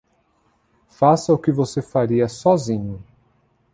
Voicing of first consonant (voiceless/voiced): voiceless